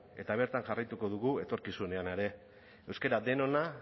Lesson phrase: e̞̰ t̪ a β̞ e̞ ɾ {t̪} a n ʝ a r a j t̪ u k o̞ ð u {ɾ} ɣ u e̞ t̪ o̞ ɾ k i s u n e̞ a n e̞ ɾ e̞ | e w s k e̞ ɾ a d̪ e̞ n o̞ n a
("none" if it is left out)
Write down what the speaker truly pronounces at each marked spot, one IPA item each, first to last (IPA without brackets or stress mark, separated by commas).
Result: t̪, none